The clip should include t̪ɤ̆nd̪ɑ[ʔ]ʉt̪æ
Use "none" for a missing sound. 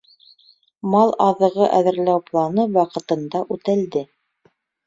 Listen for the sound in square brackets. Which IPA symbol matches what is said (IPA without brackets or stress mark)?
ʔ